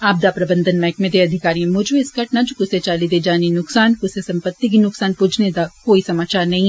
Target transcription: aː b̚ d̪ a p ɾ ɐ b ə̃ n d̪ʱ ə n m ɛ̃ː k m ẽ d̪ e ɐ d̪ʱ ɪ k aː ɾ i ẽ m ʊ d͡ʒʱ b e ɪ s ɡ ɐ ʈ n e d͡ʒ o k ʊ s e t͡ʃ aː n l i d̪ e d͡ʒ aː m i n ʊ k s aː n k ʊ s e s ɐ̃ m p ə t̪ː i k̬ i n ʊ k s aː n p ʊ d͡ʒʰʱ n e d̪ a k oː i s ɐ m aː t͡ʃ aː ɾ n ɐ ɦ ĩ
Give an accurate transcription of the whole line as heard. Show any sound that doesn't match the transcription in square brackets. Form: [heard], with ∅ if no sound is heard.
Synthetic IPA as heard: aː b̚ d̪ a p ɾ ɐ b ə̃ n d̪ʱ ə n m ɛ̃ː k m ẽ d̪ e ɐ d̪ʱ ɪ k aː ɾ i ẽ m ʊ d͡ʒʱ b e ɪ s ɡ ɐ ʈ n [a] d͡ʒ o k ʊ s e t͡ʃ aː [∅] l i d̪ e d͡ʒ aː [n] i n ʊ k s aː n k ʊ s e s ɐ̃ m p ə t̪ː i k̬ i n ʊ k s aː n p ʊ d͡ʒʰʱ n e d̪ a k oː i s ɐ m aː t͡ʃ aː ɾ n ɐ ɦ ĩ